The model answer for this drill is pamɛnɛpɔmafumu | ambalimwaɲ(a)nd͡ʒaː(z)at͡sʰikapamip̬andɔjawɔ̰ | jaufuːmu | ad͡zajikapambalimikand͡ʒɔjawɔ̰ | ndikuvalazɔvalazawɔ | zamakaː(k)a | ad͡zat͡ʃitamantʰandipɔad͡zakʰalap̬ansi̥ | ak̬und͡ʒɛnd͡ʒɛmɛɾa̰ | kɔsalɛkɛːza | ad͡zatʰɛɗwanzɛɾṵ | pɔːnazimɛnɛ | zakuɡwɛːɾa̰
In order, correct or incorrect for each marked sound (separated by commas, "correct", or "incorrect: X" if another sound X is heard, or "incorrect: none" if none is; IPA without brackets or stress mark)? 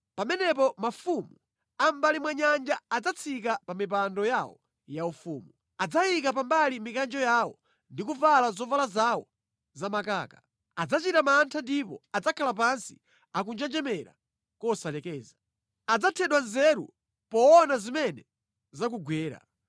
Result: correct, incorrect: d͡z, correct